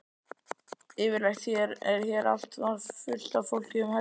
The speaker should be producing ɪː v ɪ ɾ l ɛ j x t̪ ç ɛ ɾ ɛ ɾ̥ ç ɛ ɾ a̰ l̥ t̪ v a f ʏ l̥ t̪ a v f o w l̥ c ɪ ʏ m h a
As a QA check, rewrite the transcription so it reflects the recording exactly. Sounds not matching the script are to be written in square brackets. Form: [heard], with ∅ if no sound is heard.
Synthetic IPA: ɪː v ɪ ɾ l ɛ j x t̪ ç ɛ ɾ ɛ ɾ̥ ç ɛ ɾ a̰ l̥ t̪ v a f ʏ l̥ t̪ a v f o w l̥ c ɪ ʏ m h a

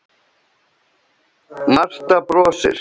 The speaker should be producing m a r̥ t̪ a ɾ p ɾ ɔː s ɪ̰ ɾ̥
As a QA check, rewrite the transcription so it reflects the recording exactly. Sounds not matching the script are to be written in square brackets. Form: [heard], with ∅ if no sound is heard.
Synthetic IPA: m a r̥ t̪ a [∅] p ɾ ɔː s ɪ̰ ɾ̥

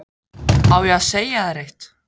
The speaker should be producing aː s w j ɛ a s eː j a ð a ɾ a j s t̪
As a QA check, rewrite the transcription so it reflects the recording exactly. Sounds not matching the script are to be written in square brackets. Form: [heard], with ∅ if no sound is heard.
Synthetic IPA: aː [∅] w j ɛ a s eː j a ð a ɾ [e] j [h] t̪

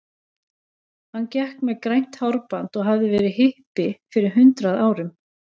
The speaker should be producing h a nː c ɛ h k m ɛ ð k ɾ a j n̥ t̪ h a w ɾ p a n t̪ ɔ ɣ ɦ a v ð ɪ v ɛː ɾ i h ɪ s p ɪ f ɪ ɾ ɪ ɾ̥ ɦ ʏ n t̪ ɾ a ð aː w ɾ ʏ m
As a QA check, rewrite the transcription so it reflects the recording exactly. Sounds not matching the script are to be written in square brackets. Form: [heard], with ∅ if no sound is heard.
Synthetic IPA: h a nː c ɛ h k m ɛ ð k ɾ a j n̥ t̪ h a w ɾ p a n t̪ ɔ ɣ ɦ a v ð ɪ v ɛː ɾ [ɪ] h ɪ [h] p ɪ f ɪ ɾ ɪ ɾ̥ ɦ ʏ n t̪ ɾ a ð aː w ɾ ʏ m

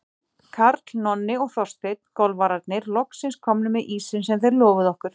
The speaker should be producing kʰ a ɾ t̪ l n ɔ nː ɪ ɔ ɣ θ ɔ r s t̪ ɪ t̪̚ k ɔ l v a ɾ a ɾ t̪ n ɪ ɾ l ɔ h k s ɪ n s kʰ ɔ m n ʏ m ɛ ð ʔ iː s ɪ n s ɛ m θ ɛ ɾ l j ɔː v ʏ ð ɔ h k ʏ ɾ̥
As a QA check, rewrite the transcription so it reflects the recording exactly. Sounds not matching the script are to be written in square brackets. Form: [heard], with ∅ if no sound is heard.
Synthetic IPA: kʰ a ɾ t̪ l n ɔ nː ɪ ɔ ɣ θ ɔ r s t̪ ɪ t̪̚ k ɔ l v a ɾ a ɾ t̪ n ɪ ɾ l ɔ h k s ɪ n s kʰ ɔ m n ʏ m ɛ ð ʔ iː s ɪ n s ɛ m θ ɛ ɾ l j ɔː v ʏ ð ɔ h k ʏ ɾ̥

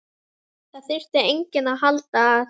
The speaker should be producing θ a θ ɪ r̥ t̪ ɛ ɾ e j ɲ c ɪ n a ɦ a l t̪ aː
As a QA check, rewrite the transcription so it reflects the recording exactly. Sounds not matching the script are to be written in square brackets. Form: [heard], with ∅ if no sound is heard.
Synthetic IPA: θ a θ ɪ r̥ t̪ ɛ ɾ e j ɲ c ɪ n a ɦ a l t̪ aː

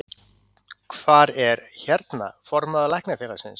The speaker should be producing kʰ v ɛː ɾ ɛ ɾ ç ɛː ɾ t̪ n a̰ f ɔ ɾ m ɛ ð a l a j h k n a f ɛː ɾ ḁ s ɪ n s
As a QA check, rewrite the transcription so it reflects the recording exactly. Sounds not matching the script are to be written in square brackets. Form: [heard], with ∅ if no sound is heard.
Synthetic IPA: kʰ v [aː] ɾ ɛ ɾ ç [ɛ] ɾ t̪ n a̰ f ɔ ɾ m [a] ð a l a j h k n a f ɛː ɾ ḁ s ɪ n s

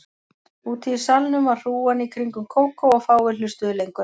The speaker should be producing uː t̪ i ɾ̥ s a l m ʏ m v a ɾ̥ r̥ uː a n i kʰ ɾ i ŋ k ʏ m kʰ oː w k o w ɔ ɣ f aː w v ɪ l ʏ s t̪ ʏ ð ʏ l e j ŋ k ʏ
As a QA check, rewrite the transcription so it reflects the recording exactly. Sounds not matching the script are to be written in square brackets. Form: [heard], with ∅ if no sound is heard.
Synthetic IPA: uː t̪ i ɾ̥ s a l [n] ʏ m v a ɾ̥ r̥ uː a n i kʰ ɾ i ŋ k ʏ m kʰ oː w k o w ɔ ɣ f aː w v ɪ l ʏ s t̪ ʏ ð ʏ l e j ŋ k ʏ

